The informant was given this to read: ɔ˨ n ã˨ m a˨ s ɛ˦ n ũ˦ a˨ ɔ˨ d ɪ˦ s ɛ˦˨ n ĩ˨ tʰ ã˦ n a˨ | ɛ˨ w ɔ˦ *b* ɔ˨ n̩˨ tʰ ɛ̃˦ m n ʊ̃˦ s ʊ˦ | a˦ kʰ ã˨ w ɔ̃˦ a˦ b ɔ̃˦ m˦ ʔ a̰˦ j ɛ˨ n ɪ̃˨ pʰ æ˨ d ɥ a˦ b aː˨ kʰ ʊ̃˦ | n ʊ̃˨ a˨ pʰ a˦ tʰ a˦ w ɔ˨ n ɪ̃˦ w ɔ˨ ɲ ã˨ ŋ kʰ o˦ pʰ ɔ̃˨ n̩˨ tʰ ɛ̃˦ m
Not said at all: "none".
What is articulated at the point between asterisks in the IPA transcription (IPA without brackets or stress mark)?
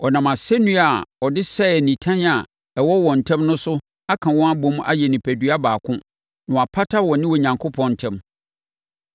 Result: w